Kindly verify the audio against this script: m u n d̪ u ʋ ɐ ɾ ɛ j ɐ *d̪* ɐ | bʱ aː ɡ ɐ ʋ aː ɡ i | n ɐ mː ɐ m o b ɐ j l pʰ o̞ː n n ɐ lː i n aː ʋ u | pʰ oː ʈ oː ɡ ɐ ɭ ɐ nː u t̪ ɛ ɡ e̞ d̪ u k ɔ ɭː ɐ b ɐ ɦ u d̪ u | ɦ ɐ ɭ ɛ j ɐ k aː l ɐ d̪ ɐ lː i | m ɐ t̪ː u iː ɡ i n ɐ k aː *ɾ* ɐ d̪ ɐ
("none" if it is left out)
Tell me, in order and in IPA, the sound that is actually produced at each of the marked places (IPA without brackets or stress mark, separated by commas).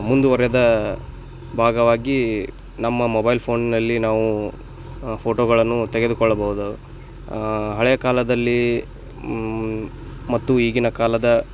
d̪, l